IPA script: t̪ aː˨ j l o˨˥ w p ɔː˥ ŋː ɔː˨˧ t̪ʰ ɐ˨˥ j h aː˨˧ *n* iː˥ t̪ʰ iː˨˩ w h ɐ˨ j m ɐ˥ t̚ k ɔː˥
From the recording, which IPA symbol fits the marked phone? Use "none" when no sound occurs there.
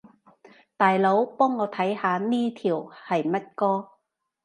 n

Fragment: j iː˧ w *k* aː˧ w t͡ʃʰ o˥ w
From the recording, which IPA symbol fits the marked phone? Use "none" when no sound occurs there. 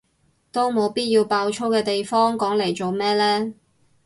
p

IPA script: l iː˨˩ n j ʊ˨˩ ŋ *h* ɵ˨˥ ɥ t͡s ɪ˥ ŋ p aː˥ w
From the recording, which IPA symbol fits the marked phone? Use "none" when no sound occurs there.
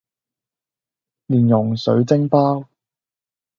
s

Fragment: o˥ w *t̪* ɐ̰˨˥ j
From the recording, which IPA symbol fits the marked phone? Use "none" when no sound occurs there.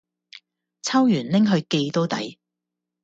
t̪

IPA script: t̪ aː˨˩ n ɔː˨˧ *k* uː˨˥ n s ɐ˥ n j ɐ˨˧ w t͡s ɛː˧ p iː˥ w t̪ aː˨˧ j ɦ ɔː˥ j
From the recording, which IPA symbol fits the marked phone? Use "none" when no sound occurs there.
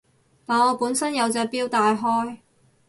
p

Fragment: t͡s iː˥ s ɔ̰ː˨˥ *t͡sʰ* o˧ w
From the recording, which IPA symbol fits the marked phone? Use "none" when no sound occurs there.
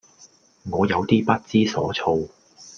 t͡sʰ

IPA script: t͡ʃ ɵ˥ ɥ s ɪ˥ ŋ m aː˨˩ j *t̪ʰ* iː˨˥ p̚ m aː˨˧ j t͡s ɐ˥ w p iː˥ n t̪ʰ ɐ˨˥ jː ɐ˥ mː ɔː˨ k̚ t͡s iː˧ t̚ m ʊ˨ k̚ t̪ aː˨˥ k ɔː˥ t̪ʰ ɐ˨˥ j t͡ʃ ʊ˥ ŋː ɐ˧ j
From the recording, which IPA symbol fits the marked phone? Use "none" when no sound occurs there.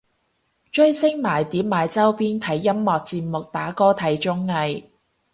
t̪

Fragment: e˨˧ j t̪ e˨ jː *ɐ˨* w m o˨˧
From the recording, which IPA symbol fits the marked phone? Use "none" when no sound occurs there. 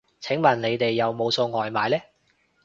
ɐ˨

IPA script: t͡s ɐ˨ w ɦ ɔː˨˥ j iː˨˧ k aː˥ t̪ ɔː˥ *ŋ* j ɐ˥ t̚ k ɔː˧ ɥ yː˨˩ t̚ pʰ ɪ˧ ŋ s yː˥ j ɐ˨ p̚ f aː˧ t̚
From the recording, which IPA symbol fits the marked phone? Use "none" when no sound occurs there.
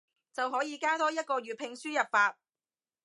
none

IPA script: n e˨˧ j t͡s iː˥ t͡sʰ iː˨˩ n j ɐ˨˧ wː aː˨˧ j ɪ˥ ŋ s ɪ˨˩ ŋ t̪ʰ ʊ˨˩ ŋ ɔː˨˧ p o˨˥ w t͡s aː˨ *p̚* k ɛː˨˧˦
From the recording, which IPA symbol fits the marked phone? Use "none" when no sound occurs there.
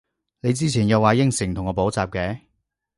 p̚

